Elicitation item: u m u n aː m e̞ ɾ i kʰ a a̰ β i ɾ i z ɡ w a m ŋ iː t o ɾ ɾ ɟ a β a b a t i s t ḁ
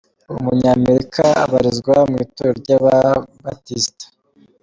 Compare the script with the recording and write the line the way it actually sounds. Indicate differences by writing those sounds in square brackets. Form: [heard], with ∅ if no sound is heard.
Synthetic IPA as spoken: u m u [ɲ] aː m e̞ ɾ i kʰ a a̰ β [a] ɾ i z ɡ w a m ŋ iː t o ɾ ɾ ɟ a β a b a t i s t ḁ